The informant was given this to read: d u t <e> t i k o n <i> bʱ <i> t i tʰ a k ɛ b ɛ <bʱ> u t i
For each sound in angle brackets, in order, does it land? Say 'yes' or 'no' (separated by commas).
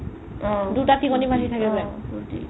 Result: no, yes, no, no